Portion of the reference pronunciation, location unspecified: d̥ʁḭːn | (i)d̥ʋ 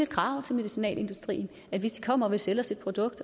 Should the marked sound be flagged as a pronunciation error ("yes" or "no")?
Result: yes